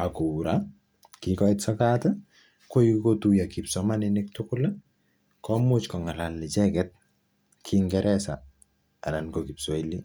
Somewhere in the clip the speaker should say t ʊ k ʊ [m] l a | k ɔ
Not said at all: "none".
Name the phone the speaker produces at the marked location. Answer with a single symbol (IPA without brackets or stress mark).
none